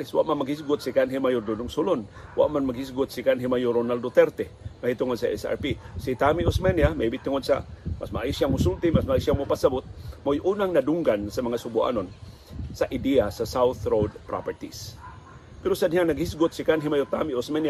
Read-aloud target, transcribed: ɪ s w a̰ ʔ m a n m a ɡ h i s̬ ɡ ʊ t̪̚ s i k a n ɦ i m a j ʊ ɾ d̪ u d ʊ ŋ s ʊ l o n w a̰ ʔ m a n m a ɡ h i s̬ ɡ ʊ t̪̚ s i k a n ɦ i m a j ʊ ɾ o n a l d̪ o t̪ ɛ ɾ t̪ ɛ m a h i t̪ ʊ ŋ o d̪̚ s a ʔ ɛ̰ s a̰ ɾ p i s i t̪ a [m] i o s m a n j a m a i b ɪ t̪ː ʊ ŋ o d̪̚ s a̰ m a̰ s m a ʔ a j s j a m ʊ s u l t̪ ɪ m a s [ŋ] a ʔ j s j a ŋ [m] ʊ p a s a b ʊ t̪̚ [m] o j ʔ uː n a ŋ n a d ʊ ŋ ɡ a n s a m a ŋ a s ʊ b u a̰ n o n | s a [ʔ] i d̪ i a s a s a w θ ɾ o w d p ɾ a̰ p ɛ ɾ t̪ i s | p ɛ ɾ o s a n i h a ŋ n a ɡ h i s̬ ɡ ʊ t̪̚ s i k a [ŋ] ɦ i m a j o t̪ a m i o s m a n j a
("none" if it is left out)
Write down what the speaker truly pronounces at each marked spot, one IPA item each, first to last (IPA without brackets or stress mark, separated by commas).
m, m, m, m, ʔ, n